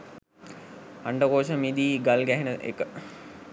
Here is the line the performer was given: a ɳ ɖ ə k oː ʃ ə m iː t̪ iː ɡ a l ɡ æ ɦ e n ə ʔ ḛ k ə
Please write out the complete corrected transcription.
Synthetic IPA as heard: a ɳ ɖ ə k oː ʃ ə m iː d̪ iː ɡ a l ɡ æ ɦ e n ə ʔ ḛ k ə